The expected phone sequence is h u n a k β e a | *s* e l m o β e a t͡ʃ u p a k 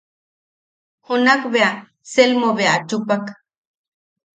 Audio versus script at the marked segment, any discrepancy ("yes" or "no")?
no